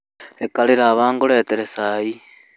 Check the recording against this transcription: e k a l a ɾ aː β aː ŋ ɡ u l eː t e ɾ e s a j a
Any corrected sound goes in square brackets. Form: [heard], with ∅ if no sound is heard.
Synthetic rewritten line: e k a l [i] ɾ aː β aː ŋ ɡ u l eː t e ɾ e s a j [i]